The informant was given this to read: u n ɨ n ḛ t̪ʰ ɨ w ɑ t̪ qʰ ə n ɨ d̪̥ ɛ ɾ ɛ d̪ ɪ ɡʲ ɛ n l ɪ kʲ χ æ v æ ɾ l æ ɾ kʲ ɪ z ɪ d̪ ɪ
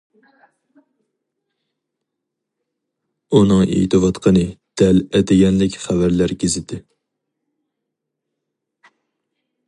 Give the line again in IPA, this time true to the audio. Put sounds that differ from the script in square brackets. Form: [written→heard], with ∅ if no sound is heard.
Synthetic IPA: u n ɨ [n→ŋ] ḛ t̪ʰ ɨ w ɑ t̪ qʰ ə n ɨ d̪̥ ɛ [ɾ→l] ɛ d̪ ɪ ɡʲ ɛ n l ɪ kʲ χ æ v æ ɾ l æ ɾ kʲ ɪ z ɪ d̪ ɪ

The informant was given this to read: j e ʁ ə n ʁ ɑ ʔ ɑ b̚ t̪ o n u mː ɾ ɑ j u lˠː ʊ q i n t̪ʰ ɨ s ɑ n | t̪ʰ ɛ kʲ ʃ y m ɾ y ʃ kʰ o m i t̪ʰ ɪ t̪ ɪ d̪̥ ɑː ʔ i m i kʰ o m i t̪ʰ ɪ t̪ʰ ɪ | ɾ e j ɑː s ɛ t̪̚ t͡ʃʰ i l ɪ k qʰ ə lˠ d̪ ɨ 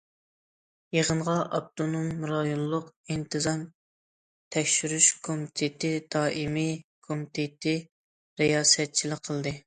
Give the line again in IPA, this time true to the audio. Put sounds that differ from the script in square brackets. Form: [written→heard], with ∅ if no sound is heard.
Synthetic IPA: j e ʁ ə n ʁ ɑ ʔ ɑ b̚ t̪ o n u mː ɾ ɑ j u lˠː ʊ q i n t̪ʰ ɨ [s→z] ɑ n | t̪ʰ ɛ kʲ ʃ y [m→∅] ɾ y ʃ kʰ o m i t̪ʰ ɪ t̪ ɪ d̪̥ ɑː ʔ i m i kʰ o m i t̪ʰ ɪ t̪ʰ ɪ | ɾ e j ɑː s ɛ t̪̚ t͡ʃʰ i l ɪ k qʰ ə lˠ d̪ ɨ

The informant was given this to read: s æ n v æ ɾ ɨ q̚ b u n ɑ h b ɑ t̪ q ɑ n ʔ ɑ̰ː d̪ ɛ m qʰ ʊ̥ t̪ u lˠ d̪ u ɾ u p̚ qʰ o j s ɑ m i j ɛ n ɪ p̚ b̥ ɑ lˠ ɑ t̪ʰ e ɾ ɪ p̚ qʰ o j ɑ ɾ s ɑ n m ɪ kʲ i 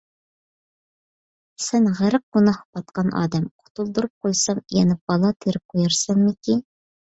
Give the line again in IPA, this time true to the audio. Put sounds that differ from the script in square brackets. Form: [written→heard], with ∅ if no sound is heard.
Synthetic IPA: s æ n [v→ʁ] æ ɾ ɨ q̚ [b→ɡ] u n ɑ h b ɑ t̪ q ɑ n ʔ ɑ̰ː d̪ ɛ m qʰ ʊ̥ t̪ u lˠ d̪ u ɾ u p̚ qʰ o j s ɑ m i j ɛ n ɪ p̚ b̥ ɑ lˠ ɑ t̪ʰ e ɾ ɪ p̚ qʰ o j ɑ ɾ s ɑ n m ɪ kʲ i

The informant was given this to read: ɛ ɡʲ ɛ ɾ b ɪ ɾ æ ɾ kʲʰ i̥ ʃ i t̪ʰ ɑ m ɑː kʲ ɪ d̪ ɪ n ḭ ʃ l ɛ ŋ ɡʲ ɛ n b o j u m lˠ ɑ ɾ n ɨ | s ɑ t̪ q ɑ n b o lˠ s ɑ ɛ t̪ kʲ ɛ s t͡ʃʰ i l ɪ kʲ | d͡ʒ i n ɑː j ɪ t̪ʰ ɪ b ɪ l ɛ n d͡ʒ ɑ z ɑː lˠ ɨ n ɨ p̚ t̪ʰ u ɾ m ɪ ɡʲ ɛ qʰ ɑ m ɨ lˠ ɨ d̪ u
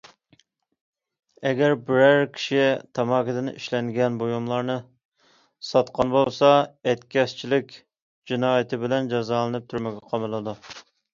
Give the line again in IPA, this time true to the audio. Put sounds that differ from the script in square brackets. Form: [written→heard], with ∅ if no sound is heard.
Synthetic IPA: ɛ ɡʲ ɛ ɾ b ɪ ɾ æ ɾ kʲʰ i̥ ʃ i t̪ʰ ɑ m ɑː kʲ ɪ d̪ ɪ n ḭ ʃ l ɛ ŋ ɡʲ ɛ n b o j u m lˠ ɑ ɾ n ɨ | s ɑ t̪ q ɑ n b o lˠ s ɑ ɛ t̪ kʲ ɛ s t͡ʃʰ i l ɪ kʲ | d͡ʒ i n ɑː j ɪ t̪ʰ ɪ b ɪ l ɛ n d͡ʒ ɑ z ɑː lˠ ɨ n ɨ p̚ t̪ʰ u ɾ m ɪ ɡʲ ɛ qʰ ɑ m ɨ lˠ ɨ d̪ u

